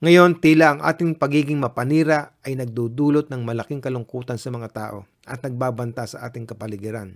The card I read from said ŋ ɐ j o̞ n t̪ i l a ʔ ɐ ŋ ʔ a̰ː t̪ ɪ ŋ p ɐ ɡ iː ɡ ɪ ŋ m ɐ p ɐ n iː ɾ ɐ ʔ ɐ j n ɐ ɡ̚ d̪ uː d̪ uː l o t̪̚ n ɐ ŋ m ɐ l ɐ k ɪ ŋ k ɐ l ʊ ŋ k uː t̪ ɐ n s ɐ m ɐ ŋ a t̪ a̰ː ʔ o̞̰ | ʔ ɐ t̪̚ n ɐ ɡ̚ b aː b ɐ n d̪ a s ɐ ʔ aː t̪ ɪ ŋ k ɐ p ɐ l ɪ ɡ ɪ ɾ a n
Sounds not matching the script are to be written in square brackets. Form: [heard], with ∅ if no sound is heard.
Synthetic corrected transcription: ŋ ɐ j o̞ n t̪ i l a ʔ ɐ ŋ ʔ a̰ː t̪ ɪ ŋ p ɐ ɡ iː ɡ ɪ ŋ m ɐ p ɐ n iː ɾ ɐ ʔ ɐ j n ɐ ɡ̚ d̪ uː d̪ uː l o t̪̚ n ɐ ŋ m ɐ l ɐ k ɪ ŋ k ɐ l ʊ ŋ k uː t̪ ɐ n s ɐ m ɐ ŋ a t̪ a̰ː ʔ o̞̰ | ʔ ɐ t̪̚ n ɐ ɡ̚ b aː b ɐ n [t̪] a s ɐ ʔ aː t̪ ɪ ŋ k ɐ p ɐ l ɪ ɡ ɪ ɾ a n